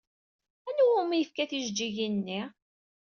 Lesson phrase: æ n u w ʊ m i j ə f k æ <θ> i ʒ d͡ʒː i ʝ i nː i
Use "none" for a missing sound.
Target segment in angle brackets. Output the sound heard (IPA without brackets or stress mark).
θ